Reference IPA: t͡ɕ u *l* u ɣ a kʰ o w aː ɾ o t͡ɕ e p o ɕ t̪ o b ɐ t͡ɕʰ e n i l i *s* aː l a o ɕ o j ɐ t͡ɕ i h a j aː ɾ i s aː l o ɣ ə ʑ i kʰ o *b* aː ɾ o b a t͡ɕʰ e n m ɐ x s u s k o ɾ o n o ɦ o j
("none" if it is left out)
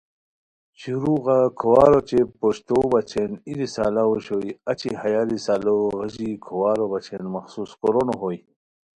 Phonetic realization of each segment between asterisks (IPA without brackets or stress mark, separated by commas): ɾ, s, w